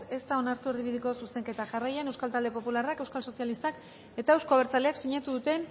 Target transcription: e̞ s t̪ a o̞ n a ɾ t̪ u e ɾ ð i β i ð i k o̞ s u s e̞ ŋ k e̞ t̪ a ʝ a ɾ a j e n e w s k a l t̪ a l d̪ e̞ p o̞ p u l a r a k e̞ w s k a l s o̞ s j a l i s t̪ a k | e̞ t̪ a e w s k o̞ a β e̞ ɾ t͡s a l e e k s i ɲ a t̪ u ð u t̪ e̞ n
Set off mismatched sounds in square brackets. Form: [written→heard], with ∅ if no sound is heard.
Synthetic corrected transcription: e̞ s t̪ a o̞ n a ɾ t̪ u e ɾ ð i β i ð i k o̞ s u s e̞ ŋ k e̞ t̪ a ʝ a [ɾ→r] a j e n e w s k a l t̪ a l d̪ e̞ p o̞ p u l a r a k e̞ w s k a l s o̞ s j a l i s t̪ a k | e̞ t̪ a e w s k o̞ a β e̞ ɾ t͡s a l e [e→a] k s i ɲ a t̪ u ð u t̪ e̞ n